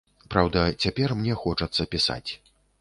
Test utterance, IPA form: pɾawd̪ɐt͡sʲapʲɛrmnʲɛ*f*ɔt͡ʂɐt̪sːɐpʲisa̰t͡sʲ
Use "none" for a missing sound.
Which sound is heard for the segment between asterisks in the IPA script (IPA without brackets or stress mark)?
x